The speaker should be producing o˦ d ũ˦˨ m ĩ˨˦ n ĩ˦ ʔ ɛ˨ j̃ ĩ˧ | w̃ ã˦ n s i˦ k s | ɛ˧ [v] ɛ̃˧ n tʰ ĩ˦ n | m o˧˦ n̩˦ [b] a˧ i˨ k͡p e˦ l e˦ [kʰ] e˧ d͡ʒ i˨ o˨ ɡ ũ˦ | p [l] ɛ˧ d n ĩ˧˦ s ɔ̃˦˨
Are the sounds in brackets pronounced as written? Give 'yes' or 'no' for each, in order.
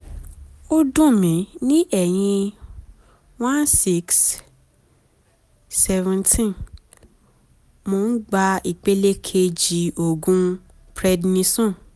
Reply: yes, no, yes, no

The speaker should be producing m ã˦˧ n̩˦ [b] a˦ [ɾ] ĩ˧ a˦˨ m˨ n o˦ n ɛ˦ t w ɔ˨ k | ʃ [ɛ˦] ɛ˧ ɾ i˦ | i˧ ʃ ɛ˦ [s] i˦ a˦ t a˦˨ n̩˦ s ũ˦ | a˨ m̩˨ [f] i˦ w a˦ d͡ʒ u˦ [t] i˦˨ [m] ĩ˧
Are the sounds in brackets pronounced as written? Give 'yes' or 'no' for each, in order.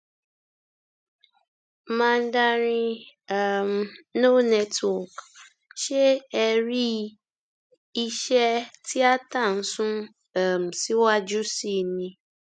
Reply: no, yes, no, no, no, no, no

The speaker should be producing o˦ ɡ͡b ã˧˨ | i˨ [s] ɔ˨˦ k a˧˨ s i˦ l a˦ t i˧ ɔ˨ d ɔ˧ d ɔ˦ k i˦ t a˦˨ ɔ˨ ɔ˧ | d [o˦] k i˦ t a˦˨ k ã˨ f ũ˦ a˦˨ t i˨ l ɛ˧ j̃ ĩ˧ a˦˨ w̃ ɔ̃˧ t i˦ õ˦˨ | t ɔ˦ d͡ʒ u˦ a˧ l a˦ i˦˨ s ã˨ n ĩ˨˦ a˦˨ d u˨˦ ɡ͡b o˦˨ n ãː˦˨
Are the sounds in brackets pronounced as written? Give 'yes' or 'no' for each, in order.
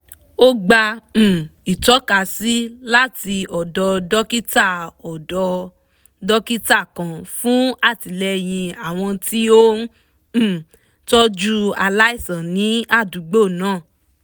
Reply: no, no

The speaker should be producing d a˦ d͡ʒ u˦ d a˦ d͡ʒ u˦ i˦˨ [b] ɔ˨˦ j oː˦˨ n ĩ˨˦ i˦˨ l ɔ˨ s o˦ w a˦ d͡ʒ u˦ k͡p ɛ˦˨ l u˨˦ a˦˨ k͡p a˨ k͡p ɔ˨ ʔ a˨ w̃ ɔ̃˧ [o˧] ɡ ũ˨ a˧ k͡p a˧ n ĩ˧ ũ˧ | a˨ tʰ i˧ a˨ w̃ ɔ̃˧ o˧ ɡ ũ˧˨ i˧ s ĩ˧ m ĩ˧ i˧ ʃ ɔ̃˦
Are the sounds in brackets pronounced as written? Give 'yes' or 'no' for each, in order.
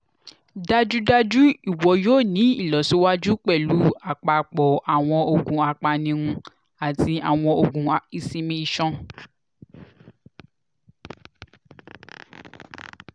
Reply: no, yes

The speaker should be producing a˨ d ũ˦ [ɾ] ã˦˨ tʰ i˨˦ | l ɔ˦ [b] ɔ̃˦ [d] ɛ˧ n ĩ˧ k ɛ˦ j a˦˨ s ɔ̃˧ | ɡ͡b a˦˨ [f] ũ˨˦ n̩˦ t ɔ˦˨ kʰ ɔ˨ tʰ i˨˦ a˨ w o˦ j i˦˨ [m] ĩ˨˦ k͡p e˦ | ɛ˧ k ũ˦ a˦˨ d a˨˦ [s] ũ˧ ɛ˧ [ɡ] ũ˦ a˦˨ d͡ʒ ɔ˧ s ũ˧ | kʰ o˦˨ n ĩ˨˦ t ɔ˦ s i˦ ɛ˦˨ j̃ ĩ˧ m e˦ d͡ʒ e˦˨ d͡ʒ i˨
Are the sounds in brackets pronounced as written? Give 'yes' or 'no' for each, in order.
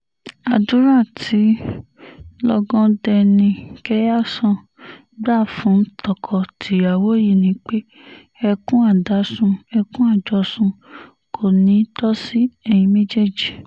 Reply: yes, no, yes, yes, no, yes, no

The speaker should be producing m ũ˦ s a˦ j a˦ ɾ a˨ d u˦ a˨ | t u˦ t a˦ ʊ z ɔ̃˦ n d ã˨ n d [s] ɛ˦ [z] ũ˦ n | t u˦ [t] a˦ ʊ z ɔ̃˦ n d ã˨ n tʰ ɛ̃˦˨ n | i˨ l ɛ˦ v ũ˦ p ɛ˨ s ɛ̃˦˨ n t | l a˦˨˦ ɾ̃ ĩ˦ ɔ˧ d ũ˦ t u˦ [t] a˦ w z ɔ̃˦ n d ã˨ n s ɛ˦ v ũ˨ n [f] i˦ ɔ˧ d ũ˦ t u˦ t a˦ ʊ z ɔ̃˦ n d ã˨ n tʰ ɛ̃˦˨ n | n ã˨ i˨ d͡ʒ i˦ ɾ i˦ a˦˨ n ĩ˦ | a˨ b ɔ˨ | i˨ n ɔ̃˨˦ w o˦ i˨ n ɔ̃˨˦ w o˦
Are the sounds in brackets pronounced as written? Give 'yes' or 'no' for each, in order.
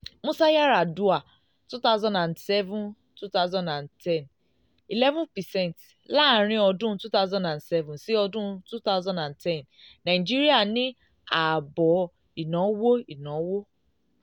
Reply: yes, no, yes, yes, no

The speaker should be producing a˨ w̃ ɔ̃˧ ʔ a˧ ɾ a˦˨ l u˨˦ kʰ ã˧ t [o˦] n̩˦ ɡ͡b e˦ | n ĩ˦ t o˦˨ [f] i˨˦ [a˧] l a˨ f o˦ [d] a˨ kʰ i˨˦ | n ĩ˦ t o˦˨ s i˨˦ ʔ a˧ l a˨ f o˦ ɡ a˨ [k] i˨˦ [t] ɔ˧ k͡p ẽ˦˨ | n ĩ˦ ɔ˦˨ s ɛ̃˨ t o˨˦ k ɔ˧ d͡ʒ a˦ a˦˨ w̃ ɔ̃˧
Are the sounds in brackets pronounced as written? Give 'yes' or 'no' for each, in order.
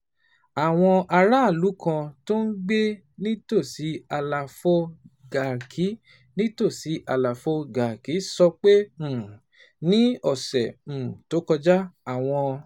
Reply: yes, no, yes, no, yes, no

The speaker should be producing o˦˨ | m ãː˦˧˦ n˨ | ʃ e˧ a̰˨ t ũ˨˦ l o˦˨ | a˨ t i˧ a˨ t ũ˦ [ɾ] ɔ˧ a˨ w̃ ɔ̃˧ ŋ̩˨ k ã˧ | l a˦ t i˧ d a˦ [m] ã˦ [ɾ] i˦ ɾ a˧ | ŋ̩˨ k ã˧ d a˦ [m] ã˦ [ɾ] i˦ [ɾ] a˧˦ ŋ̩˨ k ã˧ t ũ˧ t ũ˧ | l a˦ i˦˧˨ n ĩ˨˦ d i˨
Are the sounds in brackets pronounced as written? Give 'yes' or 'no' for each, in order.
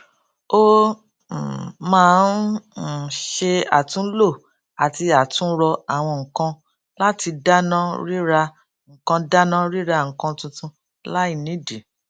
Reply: yes, no, yes, no, yes, yes

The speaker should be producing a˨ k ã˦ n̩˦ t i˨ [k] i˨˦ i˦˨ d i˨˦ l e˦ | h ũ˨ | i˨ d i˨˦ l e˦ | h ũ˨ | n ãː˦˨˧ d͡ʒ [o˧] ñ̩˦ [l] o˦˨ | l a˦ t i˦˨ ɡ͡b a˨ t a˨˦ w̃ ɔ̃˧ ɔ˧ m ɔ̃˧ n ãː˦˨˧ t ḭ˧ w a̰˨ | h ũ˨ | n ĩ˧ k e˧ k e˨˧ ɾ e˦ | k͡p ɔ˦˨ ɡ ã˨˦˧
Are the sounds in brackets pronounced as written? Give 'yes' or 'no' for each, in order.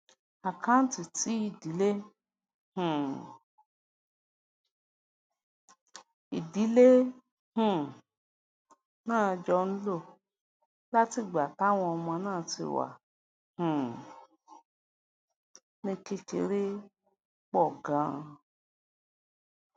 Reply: no, no, yes

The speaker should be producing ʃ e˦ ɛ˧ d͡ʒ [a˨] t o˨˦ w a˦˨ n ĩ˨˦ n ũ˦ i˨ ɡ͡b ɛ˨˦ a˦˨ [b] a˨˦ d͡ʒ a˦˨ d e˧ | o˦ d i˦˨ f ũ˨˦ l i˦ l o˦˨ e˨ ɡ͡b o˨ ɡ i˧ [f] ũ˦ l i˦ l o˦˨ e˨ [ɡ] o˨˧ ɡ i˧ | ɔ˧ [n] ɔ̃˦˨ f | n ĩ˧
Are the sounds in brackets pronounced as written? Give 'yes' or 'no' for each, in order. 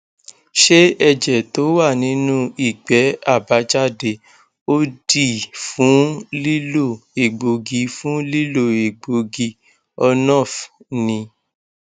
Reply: no, yes, yes, no, yes

